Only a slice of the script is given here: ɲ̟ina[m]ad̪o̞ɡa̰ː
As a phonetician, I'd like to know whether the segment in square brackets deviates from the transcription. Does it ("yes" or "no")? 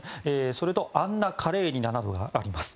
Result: yes